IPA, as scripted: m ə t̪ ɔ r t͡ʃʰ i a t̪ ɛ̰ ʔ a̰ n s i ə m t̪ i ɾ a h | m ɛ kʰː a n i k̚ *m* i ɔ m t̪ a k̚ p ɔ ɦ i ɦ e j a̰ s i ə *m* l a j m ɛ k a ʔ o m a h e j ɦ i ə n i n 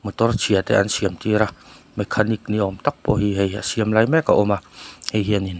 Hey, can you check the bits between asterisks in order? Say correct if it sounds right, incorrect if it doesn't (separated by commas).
incorrect, correct